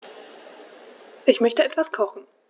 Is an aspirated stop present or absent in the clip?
present